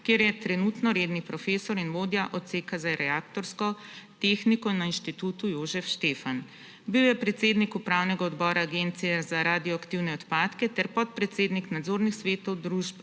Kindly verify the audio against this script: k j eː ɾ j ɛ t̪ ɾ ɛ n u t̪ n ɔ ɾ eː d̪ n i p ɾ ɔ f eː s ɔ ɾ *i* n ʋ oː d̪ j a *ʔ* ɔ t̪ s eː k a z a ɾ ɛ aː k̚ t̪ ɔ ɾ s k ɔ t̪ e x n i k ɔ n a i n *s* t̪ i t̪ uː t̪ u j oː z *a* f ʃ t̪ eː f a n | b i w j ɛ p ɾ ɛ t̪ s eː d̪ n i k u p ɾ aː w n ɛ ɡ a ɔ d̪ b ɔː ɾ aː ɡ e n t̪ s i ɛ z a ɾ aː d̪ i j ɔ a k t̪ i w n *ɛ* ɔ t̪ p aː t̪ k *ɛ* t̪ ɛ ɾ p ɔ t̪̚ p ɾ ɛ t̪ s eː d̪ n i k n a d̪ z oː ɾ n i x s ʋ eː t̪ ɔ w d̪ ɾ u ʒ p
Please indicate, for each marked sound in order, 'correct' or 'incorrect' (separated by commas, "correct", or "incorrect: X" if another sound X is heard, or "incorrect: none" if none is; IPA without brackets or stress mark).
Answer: correct, correct, incorrect: ʃ, incorrect: ɛ, correct, correct